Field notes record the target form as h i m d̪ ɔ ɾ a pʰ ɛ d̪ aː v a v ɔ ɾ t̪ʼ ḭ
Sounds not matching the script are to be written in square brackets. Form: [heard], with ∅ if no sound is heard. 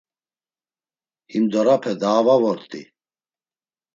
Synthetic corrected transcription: h i m d̪ ɔ ɾ a pʰ ɛ d̪ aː v a v ɔ ɾ t̪ʼ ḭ